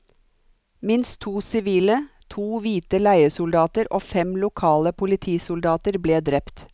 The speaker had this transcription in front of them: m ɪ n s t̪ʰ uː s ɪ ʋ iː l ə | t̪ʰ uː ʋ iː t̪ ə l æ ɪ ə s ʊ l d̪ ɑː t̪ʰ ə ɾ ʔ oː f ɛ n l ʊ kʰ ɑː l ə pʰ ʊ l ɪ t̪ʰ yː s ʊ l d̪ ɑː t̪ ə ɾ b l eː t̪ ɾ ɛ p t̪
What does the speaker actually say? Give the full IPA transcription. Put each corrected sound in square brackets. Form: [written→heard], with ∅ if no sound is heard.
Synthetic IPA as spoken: m ɪ n s t̪ʰ uː s ɪ ʋ iː l ə | t̪ʰ uː ʋ iː t̪ ə l æ ɪ ə s ʊ l d̪ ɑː [t̪ʰ→t̪] ə ɾ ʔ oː f ɛ [n→m] l ʊ kʰ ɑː l ə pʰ ʊ l ɪ t̪ʰ [yː→iː] s ʊ l d̪ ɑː t̪ ə ɾ b l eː [t̪→d̪] ɾ ɛ p t̪